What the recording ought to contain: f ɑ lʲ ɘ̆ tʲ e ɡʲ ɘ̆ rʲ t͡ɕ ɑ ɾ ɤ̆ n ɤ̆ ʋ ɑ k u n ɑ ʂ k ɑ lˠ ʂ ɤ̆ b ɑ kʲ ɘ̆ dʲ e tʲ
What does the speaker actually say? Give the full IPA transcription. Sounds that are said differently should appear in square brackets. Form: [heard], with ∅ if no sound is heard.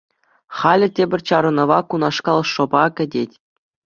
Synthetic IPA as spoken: [χ] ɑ lʲ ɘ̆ tʲ e [bʲ] ɘ̆ rʲ t͡ɕ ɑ ɾ ɤ̆ n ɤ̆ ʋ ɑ k u n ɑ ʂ k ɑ lˠ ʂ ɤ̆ b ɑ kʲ ɘ̆ dʲ e tʲ